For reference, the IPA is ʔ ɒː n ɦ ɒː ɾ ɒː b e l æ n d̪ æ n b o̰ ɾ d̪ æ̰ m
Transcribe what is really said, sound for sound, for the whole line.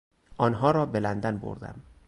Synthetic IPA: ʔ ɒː n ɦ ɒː ɾ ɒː b e l æ n d̪ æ n b o̰ ɾ d̪ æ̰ m